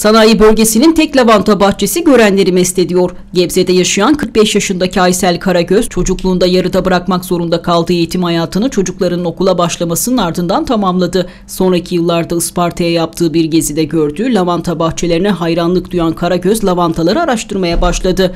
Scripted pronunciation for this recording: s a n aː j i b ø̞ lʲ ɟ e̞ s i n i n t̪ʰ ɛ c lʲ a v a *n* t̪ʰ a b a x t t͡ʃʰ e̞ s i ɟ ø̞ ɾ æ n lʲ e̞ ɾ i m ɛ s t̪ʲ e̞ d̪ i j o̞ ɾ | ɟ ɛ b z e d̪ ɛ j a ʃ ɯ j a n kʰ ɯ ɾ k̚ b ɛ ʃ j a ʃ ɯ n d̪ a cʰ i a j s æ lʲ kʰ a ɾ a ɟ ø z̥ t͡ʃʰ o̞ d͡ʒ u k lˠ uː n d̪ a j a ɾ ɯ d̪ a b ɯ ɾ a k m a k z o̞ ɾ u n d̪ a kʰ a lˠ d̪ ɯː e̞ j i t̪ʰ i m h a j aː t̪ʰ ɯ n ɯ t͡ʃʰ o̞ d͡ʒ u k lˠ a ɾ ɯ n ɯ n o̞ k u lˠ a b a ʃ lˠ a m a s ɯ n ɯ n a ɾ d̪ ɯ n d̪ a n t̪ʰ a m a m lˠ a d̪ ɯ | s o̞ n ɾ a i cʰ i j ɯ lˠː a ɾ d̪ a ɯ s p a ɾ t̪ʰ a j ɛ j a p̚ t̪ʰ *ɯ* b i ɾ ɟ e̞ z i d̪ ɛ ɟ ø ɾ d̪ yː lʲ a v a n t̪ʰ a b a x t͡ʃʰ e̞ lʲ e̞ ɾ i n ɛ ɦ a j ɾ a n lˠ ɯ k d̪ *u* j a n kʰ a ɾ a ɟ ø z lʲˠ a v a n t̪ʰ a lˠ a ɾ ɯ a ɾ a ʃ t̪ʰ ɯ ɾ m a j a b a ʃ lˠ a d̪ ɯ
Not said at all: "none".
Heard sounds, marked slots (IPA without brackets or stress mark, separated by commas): n, ɯː, u